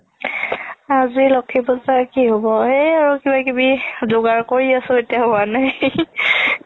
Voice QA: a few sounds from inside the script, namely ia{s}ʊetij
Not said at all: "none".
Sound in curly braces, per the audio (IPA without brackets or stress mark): s